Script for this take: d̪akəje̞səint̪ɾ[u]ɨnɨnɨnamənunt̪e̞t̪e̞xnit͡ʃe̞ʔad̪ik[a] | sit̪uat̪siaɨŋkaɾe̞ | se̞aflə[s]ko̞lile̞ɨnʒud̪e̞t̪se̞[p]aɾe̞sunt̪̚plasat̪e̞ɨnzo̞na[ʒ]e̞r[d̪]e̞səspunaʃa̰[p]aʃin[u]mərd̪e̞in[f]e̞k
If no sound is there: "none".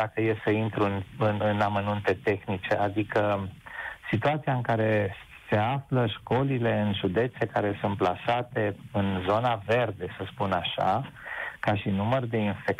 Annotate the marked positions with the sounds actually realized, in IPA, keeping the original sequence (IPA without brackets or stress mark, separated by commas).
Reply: u, ə, ʃ, k, v, d̪, k, u, f